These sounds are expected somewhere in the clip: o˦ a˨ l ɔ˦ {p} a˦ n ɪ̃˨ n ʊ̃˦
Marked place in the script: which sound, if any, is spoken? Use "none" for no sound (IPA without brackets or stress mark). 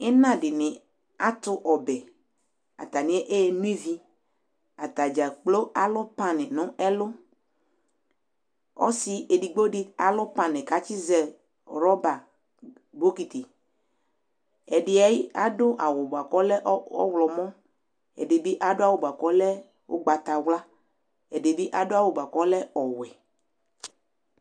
p